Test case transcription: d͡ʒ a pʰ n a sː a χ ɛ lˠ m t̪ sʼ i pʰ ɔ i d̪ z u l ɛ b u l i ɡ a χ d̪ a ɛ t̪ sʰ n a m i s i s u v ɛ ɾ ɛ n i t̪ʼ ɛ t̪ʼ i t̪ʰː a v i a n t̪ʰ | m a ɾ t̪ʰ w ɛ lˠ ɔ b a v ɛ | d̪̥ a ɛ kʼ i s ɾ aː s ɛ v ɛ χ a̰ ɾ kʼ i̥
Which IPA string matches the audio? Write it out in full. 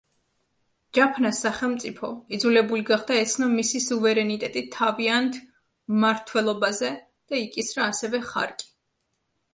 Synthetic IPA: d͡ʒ a pʰ n a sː a χ ɛ lˠ m t̪ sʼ i pʰ ɔ i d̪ z u l ɛ b u l i ɡ a χ d̪ a ɛ t̪ sʰ n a m i s i s u v ɛ ɾ ɛ n i t̪ʼ ɛ t̪ʼ i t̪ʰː a v i a n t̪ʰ | m a ɾ t̪ʰ w ɛ lˠ ɔ b a z ɛ | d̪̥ a i kʼ i s ɾ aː s ɛ v ɛ χ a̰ ɾ kʼ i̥